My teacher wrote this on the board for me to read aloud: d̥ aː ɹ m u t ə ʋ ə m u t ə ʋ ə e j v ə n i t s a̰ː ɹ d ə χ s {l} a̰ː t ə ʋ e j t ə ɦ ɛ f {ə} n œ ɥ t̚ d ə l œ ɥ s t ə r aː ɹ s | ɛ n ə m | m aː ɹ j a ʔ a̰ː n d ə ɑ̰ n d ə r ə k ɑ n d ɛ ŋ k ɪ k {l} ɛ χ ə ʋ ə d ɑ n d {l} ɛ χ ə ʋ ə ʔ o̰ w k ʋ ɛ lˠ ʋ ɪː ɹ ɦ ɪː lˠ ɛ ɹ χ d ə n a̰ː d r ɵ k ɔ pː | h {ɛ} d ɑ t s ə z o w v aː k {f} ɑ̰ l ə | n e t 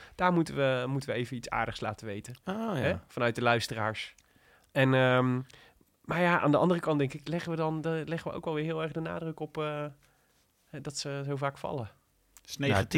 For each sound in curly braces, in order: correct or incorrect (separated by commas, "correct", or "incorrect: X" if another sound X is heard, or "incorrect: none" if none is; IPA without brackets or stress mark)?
correct, incorrect: ɑ, correct, correct, correct, correct